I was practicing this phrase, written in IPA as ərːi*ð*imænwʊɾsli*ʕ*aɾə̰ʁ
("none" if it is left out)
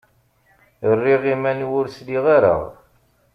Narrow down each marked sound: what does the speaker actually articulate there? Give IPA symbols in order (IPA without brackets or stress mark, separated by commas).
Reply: ʁ, ʁ